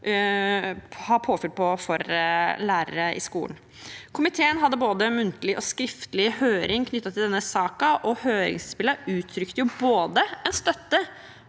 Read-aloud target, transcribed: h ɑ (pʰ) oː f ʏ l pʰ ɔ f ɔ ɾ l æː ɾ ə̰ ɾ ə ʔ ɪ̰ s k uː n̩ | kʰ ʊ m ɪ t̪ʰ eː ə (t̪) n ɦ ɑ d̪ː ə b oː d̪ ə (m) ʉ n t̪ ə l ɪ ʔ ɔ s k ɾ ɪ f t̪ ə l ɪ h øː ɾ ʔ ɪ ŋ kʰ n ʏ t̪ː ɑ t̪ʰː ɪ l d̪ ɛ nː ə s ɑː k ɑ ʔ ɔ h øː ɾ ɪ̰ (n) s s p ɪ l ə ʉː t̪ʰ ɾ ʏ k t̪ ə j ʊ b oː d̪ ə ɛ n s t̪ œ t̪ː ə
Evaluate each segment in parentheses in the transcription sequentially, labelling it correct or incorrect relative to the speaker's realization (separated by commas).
correct, incorrect, correct, incorrect